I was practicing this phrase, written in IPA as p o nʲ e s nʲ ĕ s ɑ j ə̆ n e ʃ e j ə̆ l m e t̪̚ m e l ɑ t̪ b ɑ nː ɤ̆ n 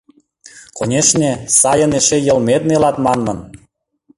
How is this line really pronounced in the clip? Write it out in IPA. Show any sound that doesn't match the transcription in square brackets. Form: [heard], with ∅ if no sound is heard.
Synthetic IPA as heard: [k] o nʲ e [ʃ] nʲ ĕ s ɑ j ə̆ n e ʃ e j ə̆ l m e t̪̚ [n] e l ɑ t̪ [m] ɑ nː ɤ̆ n

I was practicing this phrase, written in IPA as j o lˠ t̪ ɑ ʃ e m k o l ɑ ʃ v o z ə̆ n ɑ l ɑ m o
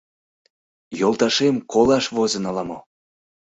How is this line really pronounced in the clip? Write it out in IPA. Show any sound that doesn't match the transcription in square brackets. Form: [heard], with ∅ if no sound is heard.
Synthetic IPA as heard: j o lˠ t̪ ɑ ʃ e m k o l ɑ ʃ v o z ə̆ n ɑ l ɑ m o

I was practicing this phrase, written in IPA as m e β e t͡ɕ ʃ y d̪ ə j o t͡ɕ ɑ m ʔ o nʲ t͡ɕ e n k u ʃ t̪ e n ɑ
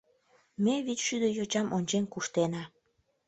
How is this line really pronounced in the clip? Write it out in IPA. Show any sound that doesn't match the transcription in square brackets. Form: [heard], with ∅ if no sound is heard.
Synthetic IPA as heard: m e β [i] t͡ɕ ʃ y d̪ ə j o t͡ɕ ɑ m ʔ o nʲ t͡ɕ e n k u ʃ t̪ e n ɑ

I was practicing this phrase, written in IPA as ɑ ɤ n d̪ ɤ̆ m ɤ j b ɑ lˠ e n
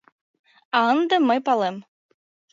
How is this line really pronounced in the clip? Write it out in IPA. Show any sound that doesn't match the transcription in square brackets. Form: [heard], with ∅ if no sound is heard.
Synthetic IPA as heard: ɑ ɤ n d̪ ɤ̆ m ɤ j [p] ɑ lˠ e [m]

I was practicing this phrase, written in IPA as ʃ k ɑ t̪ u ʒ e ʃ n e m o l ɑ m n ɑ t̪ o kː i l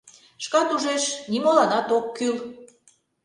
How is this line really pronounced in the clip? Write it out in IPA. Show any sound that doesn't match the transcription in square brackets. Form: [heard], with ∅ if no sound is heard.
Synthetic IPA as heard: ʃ k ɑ t̪ u ʒ e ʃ n [i] m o l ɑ [∅] n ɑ t̪ o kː [y] l

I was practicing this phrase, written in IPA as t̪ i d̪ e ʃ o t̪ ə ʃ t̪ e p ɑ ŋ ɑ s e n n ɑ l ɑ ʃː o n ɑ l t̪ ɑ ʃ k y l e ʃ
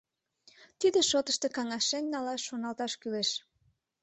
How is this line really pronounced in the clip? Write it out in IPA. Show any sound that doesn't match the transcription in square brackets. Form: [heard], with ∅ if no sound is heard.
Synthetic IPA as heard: t̪ i d̪ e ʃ o t̪ ə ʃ t̪ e [k] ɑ ŋ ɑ [ʃ] e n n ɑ l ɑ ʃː o n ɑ l t̪ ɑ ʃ k y l e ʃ

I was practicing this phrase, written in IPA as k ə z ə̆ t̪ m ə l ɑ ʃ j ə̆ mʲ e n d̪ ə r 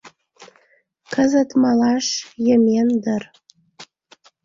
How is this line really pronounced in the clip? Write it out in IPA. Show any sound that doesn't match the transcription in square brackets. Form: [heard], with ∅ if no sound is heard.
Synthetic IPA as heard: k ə z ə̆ t̪ m [ɑ] l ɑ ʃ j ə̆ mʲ e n d̪ ə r

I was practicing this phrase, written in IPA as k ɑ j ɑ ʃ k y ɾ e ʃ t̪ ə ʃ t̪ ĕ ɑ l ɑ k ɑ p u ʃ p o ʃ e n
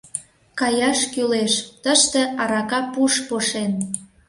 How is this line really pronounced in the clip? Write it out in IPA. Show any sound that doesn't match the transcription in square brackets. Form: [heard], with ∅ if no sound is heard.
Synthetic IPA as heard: k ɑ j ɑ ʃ k y [l] e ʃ t̪ ə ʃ t̪ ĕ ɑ [ɾ] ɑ k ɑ p u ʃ p o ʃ e n

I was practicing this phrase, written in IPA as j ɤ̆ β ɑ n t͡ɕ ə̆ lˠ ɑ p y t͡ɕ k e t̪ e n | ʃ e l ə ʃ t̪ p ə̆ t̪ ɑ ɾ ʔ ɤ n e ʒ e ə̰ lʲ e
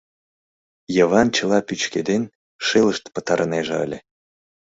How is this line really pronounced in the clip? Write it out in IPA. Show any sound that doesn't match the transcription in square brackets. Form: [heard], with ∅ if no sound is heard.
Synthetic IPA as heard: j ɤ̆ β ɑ n t͡ɕ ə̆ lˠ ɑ p y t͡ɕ k e [d̪] e n | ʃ e l ə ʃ t̪ p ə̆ t̪ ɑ ɾ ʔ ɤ n e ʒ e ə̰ lʲ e

